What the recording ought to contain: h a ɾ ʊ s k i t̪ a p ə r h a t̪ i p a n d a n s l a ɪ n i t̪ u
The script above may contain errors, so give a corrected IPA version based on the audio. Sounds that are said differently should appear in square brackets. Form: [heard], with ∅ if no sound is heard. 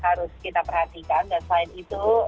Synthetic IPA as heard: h a ɾ ʊ s k i t̪ a p ə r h a t̪ i [k] a n d a n s l a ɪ n i t̪ u